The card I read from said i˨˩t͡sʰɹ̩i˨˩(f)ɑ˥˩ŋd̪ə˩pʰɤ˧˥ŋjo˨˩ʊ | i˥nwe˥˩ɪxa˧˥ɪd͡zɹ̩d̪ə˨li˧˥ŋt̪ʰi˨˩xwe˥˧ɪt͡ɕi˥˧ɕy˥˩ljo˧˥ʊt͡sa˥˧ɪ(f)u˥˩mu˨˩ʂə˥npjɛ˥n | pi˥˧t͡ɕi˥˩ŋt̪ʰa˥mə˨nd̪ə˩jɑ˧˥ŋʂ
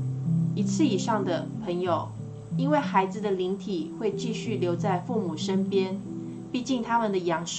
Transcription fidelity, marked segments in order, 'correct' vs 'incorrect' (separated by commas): incorrect, correct